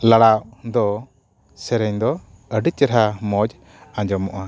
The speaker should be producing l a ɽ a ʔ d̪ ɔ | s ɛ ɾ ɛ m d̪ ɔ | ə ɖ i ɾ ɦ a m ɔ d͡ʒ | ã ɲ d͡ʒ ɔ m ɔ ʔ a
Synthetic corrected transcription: l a ɽ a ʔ d̪ ɔ | s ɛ ɾ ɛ ɲ d̪ ɔ | ə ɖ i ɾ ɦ a m ɔ d͡ʒ | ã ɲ d͡ʒ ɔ m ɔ ʔ a